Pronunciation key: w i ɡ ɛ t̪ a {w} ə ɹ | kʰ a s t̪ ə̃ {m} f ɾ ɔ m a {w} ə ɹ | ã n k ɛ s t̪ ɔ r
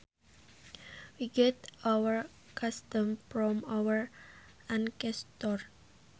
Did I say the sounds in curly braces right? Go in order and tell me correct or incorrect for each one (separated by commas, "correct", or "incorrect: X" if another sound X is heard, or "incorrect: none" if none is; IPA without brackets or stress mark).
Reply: correct, correct, correct